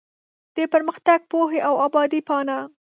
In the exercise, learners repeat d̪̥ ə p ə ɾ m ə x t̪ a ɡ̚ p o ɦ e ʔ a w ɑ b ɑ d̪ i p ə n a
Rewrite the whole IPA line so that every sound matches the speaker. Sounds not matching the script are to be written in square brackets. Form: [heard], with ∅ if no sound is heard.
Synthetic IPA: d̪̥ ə p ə ɾ m ə x t̪ a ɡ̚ p o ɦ e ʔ a w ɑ b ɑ d̪ i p [ɑ] n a